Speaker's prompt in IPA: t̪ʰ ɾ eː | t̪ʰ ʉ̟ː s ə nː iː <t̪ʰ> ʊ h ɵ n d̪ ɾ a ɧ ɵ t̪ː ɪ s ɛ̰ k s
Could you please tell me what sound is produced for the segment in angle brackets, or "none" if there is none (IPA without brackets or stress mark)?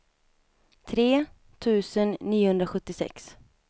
none